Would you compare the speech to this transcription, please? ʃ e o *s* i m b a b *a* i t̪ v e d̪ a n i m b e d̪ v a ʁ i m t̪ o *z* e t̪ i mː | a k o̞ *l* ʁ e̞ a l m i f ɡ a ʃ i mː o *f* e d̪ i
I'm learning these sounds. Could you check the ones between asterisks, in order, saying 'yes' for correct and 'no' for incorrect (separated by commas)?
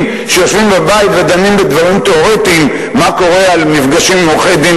no, yes, no, no, no